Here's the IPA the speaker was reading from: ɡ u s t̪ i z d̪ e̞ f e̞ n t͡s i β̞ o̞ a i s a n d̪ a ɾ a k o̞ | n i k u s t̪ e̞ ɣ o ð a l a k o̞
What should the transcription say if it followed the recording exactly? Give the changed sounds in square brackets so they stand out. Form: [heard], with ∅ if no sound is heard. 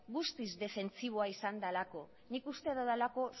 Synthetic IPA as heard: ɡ u s t̪ i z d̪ e̞ f e̞ n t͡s i β̞ o̞ a i s a n d̪ a [l] a k o̞ | n i k u s t̪ e̞ [ð] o ð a l a k o̞

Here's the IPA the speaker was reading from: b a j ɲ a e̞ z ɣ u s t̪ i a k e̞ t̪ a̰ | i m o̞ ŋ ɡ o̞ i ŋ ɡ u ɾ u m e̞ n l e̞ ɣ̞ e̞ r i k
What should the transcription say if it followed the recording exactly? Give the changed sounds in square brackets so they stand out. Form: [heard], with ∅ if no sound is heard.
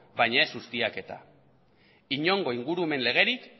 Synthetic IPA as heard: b a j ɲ a e̞ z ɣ u s t̪ i a k e̞ t̪ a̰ | i [ɲ] o̞ ŋ ɡ o̞ i ŋ ɡ u ɾ u m e̞ n l e̞ ɣ̞ e̞ [ɾ] i k

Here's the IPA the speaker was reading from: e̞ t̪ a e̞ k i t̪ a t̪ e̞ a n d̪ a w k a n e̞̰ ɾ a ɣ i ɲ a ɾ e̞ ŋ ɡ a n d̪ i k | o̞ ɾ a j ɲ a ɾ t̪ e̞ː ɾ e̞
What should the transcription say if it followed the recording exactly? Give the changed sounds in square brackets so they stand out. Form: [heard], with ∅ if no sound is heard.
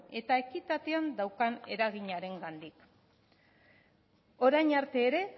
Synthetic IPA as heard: e̞ t̪ a e̞ k i t̪ a t̪ e̞ a n d̪ a w k a n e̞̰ ɾ a ɣ i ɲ a ɾ e̞ ŋ ɡ a n d̪ i k | o̞ ɾ a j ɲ a ɾ t̪ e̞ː ɾ e̞

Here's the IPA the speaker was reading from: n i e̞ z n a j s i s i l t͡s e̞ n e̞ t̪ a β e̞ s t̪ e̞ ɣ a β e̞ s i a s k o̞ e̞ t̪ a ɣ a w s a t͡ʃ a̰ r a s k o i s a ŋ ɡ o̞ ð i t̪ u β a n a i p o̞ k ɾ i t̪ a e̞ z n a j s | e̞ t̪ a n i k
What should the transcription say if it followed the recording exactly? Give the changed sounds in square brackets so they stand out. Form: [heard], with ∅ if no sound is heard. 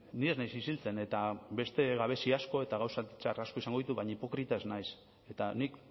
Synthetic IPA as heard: n i e̞ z n a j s i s i l t͡s e̞ n e̞ t̪ a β e̞ s t̪ e̞ ɣ a β e̞ s i a s k o̞ e̞ t̪ a ɣ a w s a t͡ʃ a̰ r a s k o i s a ŋ ɡ o̞ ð i t̪ u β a [ɲ] a i p o̞ k ɾ i t̪ a e̞ z n a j s | e̞ t̪ a n i k

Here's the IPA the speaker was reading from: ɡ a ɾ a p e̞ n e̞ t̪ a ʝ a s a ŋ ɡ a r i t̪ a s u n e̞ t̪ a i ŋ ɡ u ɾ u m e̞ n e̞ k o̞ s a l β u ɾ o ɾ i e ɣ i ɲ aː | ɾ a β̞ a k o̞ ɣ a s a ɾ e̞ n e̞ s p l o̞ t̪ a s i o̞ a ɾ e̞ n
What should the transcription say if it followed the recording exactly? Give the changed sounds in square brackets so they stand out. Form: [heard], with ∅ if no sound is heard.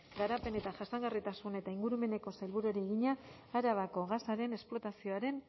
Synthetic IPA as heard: ɡ a ɾ a p e̞ n e̞ t̪ a ʝ a s a ŋ ɡ a r i t̪ a s u n e̞ t̪ a i ŋ ɡ u ɾ u m e̞ n e̞ k o̞ s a l β u ɾ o ɾ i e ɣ i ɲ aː | ɾ a β̞ a k o̞ ɣ a s a ɾ e̞ n e̞ s p l o̞ t̪ a s i o̞ a ɾ e̞ n

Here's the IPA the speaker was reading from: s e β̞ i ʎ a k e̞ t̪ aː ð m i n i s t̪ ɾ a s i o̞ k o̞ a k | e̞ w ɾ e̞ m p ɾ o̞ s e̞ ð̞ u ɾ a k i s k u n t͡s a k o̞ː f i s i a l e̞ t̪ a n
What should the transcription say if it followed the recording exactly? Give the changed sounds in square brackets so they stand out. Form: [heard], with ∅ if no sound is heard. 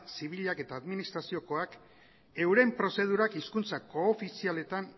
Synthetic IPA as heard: s [i] β̞ i ʎ a k e̞ t̪ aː ð m i n i s t̪ ɾ a s i o̞ k o̞ a k | e̞ w ɾ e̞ m p ɾ o̞ s e̞ ð̞ u ɾ a k i s k u n t͡s a k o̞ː f i s i a l e̞ t̪ a n

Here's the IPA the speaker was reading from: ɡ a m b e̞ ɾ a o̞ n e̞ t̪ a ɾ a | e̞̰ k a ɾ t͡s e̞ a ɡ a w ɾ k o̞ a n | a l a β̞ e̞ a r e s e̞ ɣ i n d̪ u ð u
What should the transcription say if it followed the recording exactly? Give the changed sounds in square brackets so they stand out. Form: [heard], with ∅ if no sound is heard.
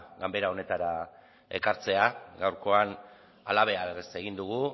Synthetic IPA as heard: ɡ a m b e̞ ɾ a o̞ n e̞ t̪ a ɾ a | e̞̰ k a ɾ t͡s e̞ a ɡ a w ɾ k o̞ a n | a l a β̞ e̞ a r e s e̞ ɣ i n d̪ u [ɣ] u

